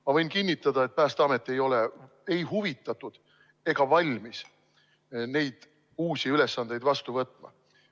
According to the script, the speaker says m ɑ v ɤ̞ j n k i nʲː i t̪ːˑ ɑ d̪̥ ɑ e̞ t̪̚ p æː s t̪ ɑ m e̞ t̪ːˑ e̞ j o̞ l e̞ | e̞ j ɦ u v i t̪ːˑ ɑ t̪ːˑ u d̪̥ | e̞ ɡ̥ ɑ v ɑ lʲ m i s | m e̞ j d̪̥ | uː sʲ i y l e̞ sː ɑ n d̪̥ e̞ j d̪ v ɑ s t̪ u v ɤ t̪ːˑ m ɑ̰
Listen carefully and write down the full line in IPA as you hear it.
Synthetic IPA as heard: m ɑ v ɤ̞ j n k i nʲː i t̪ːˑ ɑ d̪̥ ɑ e̞ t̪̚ p æː s t̪ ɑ m e̞ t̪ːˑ e̞ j o̞ l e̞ | e̞ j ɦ u v i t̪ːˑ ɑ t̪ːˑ u d̪̥ | e̞ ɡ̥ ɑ v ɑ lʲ m i s | n e̞ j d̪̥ | uː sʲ i y l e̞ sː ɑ n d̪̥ e̞ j d̪ v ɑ s t̪ u v ɤ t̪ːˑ m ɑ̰